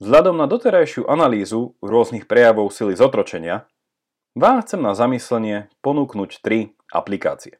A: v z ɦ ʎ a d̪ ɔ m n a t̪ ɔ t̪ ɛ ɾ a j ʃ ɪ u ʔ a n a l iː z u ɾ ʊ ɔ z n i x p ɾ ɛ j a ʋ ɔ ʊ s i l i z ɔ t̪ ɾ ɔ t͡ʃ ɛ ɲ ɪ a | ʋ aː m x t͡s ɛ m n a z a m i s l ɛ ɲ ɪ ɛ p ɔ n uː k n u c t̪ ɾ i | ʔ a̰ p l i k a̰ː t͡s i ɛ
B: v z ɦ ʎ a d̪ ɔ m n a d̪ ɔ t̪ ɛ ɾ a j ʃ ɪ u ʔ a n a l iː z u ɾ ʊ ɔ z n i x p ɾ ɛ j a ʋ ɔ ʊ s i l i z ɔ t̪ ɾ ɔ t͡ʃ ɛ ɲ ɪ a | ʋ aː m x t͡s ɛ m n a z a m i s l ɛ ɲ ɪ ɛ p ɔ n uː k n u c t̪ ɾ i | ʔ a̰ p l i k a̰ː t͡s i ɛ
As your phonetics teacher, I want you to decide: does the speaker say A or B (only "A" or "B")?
B